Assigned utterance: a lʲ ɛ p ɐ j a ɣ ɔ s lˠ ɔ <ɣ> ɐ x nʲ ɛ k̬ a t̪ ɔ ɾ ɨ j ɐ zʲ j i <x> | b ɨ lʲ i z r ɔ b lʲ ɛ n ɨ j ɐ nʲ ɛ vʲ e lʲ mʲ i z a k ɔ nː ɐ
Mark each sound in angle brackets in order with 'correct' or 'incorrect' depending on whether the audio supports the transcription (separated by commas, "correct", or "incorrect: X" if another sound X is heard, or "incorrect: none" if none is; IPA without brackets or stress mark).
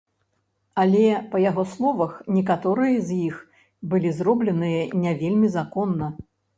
incorrect: v, correct